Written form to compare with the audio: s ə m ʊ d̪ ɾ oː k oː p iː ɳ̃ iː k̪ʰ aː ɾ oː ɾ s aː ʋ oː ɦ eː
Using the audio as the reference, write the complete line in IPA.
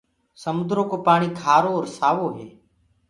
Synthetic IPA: s ə m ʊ d̪ ɾ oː k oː p aː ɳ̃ iː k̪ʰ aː ɾ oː ɾ s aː ʋ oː ɦ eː

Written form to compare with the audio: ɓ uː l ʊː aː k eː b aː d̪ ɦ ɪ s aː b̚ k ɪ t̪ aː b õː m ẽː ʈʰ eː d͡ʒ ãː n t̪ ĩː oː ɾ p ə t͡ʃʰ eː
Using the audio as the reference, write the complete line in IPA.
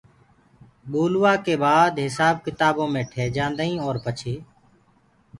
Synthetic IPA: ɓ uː l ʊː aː k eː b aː d̪ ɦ ɪ s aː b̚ k ɪ t̪ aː b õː m ẽː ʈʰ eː d͡ʒ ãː n d̪ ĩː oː ɾ p ə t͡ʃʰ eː

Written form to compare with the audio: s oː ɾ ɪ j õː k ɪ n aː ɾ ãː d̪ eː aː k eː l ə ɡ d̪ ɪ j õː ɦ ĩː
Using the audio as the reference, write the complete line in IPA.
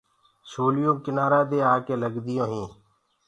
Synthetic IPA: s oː l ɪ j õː k ɪ n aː ɾ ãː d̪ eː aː k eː l ə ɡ d̪ ɪ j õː ɦ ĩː

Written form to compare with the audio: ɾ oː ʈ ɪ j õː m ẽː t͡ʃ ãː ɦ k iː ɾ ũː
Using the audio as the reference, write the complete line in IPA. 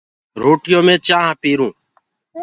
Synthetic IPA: ɾ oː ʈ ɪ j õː m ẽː t͡ʃ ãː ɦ p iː ɾ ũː

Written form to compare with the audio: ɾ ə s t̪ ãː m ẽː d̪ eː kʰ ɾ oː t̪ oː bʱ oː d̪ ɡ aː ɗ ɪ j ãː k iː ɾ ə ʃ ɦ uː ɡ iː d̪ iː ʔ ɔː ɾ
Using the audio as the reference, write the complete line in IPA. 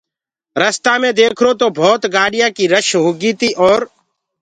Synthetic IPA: ɾ ə s t̪ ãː m ẽː d̪ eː kʰ ɾ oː t̪ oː bʱ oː t̪ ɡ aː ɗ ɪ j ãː k iː ɾ ə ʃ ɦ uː ɡ iː t̪ iː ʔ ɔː ɾ

